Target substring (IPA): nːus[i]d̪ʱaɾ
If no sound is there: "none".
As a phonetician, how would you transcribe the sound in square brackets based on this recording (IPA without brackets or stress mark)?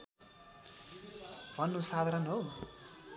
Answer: a